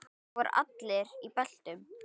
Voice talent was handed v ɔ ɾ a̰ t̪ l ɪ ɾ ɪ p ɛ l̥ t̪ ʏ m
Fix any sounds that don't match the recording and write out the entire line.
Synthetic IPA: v ɔ ɾ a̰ t̪ l ɪ ɾ i p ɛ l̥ t̪ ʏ m